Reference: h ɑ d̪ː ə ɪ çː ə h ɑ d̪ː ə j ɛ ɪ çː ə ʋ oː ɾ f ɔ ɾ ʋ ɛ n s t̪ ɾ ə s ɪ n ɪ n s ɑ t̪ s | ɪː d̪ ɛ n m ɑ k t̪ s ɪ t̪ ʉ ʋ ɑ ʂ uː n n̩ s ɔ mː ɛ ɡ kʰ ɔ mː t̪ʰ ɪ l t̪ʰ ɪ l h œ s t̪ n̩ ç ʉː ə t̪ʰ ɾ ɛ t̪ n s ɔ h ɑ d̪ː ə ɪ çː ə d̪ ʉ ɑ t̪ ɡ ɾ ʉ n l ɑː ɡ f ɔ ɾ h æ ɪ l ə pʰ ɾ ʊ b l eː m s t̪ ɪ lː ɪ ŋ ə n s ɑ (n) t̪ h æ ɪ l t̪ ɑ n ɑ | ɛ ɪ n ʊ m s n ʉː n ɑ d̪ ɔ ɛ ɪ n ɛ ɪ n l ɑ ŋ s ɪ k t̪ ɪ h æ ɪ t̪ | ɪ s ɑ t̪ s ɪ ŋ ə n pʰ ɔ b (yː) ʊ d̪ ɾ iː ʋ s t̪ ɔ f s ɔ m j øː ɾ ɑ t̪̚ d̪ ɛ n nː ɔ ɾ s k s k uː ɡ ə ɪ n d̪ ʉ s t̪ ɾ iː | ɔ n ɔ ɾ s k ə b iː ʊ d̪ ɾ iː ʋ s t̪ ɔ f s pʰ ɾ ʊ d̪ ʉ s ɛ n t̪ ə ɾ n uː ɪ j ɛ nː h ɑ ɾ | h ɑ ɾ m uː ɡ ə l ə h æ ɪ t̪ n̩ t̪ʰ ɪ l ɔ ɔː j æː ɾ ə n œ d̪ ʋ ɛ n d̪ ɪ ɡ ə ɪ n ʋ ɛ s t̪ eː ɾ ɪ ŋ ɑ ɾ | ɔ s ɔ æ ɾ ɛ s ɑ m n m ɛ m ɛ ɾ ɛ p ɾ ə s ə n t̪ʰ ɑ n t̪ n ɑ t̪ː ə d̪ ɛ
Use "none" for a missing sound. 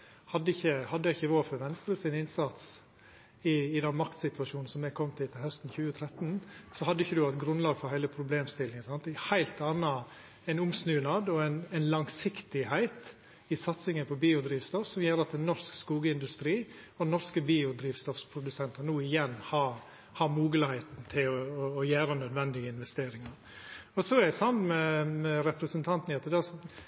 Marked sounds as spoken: n, iː

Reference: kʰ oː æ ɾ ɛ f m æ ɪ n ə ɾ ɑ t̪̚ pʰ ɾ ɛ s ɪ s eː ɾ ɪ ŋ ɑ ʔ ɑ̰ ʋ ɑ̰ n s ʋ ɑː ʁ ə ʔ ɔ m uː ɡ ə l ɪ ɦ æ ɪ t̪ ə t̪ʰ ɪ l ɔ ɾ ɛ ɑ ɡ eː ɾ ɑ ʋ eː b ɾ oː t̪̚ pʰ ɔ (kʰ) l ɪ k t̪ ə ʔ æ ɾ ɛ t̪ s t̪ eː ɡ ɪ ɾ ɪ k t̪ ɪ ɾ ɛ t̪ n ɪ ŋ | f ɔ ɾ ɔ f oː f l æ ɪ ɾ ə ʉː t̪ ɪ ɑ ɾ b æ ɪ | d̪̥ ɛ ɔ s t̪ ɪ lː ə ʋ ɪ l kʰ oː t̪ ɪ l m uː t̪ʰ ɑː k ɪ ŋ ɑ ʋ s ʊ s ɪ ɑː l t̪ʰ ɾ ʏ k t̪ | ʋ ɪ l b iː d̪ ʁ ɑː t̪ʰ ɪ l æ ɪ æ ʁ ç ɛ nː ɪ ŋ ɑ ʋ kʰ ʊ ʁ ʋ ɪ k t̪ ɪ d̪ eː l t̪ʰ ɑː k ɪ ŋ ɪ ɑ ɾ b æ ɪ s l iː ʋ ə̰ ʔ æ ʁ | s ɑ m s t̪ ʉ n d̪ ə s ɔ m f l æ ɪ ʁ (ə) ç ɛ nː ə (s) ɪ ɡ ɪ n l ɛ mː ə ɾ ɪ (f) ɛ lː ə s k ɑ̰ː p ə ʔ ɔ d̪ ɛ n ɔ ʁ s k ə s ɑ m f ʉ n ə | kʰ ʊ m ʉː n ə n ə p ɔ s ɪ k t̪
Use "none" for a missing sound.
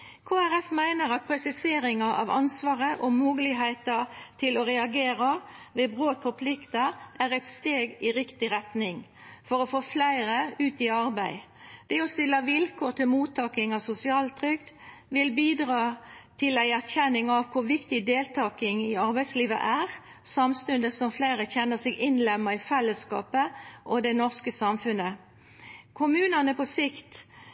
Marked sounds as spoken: pʰ, ə, s, f

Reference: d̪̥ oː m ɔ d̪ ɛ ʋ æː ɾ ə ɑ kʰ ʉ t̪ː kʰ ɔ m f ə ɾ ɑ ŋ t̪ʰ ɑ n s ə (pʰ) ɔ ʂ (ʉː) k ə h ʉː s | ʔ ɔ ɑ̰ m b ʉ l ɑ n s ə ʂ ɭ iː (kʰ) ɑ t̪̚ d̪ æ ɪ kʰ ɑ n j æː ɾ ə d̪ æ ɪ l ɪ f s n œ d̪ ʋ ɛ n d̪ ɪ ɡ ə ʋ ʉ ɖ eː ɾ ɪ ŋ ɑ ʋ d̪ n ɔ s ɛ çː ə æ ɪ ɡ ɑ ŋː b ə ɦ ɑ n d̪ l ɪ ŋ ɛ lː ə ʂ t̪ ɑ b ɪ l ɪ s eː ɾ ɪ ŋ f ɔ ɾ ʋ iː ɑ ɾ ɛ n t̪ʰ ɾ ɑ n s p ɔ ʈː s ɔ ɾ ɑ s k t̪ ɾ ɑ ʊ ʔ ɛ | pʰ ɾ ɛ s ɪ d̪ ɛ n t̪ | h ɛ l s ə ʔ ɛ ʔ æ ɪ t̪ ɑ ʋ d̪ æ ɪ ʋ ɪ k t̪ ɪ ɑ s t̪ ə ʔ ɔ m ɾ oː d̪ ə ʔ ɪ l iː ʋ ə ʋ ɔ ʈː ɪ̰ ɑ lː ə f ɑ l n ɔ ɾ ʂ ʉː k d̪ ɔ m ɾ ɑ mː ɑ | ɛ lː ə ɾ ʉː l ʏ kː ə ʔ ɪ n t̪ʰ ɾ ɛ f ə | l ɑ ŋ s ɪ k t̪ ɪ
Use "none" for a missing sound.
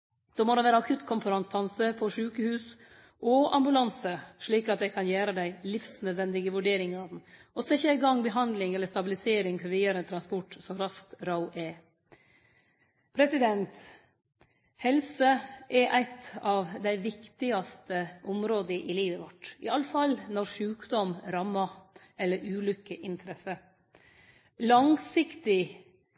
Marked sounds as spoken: pʰ, ʉː, k

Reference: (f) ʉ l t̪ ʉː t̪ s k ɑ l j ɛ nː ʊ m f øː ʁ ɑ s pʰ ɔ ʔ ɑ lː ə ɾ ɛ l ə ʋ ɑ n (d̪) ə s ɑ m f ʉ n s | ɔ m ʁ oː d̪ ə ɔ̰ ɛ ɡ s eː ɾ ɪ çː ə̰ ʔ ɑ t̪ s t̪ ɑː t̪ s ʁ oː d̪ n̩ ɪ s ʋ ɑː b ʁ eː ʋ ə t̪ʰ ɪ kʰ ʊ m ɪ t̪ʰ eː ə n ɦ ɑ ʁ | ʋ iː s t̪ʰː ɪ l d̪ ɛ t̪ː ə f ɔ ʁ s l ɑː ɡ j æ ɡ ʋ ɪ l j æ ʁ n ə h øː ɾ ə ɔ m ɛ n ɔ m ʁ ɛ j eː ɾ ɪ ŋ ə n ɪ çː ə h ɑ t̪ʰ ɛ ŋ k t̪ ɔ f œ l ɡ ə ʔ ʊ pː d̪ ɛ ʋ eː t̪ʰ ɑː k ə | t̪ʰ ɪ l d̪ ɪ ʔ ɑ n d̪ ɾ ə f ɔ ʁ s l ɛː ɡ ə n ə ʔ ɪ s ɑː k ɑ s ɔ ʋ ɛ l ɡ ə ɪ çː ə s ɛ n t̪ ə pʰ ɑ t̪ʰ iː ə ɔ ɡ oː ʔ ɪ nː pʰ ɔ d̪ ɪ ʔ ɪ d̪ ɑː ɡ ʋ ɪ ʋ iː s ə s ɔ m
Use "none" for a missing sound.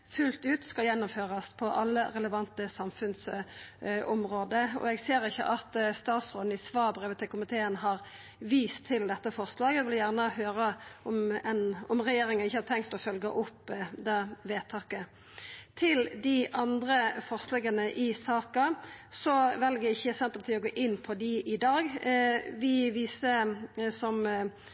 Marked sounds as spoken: f, t̪

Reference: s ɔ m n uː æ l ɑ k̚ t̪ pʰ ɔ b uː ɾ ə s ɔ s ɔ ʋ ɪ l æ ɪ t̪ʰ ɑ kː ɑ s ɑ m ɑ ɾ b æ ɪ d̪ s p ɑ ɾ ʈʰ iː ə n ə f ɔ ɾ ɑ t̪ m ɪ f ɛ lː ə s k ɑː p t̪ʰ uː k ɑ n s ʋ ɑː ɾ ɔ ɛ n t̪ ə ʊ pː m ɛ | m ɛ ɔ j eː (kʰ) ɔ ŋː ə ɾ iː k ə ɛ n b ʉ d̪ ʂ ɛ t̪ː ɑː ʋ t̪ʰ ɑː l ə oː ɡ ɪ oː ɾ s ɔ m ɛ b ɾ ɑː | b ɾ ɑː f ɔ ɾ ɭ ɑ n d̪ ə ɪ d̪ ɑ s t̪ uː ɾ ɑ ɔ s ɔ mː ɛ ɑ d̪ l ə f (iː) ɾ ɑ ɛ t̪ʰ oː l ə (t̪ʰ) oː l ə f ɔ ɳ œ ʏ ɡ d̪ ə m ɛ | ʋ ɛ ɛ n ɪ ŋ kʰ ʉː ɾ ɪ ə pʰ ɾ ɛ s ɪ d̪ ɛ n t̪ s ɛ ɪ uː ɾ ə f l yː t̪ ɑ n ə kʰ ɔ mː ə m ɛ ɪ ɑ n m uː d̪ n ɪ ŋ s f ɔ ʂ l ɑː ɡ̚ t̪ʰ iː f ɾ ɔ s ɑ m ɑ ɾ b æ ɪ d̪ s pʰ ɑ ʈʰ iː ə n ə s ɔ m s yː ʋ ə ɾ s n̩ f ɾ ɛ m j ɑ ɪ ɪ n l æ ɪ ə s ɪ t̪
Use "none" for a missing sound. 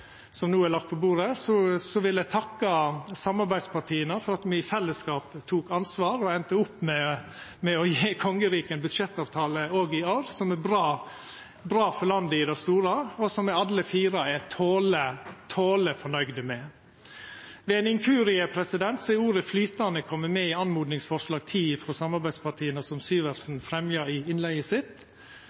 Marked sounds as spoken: kʰ, iː, t̪ʰ

